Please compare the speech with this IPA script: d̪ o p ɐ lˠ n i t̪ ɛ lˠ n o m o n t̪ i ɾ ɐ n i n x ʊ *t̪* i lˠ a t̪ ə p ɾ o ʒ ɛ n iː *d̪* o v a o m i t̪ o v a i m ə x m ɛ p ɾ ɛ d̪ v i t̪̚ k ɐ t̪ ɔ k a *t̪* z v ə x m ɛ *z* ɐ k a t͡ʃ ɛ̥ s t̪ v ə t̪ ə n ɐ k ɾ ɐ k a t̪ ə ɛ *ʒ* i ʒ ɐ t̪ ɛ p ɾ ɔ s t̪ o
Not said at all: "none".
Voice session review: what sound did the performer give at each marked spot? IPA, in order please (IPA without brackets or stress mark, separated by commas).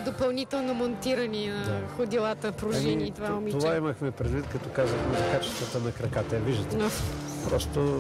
d̪, t̪, none, z, v